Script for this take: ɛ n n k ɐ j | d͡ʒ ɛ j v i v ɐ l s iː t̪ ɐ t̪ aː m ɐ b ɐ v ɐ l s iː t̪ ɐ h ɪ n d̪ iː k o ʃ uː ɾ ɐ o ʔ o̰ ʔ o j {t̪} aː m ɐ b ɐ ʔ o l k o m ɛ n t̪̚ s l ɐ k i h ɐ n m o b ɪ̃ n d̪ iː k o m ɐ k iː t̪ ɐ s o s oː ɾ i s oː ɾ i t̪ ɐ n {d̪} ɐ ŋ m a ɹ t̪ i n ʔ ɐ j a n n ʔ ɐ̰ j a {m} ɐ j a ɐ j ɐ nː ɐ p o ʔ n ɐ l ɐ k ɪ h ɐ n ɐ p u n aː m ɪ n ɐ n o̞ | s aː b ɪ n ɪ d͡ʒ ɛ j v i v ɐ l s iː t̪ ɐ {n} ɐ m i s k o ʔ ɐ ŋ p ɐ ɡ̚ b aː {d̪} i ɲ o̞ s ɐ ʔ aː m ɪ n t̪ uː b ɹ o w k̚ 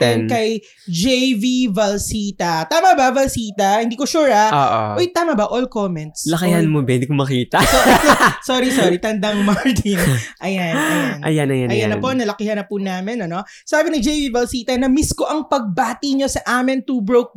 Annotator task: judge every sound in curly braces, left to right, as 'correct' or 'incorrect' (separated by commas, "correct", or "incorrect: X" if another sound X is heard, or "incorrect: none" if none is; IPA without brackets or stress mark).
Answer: correct, correct, incorrect: n, correct, incorrect: t̪